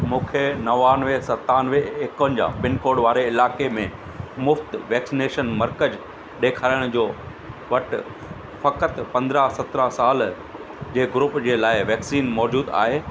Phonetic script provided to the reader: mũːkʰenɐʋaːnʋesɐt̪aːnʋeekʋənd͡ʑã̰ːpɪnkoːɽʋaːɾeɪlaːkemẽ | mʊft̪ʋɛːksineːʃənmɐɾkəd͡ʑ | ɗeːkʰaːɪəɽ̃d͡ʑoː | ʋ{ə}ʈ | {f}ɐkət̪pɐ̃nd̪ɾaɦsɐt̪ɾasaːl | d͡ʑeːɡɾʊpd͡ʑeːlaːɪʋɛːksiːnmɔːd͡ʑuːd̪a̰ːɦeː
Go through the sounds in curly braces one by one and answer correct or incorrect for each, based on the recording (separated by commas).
incorrect, correct